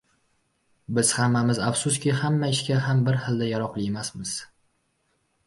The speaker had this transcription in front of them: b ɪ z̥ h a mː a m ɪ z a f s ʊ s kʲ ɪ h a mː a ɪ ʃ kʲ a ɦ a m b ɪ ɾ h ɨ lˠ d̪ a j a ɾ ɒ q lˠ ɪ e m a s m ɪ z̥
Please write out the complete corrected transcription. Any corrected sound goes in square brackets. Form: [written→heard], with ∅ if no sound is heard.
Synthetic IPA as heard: b ɪ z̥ h a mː a m ɪ z a f s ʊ s kʲ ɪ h a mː a ɪ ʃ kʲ a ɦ a m b ɪ ɾ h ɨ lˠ d̪ a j a ɾ ɒ q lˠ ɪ e m a s m ɪ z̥